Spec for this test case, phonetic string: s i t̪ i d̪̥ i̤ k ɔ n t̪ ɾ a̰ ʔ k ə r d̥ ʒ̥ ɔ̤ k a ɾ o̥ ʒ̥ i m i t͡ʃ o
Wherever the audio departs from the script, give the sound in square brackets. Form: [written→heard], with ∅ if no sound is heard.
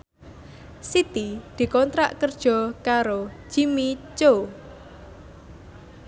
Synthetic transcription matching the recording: s i t̪ i d̪̥ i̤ k ɔ n t̪ ɾ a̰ ʔ k ə r d̥ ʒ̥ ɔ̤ k a ɾ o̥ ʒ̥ i m i t͡ʃ o